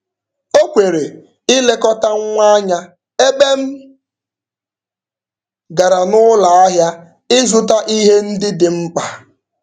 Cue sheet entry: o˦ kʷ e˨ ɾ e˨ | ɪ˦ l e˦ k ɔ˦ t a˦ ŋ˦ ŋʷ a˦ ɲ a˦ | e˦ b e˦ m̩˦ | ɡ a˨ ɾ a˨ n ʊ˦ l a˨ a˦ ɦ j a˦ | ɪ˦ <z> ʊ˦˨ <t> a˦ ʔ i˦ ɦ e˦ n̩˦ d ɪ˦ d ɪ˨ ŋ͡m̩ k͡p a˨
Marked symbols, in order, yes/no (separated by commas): yes, yes